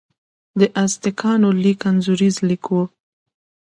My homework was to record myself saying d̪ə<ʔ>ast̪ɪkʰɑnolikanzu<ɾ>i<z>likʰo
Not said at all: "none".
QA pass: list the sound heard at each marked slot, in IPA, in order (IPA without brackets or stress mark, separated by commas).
ʔ, ɾ, z